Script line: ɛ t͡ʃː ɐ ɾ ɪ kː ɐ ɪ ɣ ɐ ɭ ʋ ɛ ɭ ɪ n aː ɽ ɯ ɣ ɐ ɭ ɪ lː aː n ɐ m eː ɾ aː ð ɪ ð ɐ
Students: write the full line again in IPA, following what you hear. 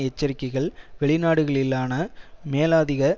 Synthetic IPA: ɛ t͡ʃː ɐ ɾ ɪ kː ɐ ɪ ɣ ɐ ɭ ʋ ɛ ɭ ɪ n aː ɽ ɯ ɣ ɐ ɭ ɪ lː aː n ɐ m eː l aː ð ɪ ɣ ɐ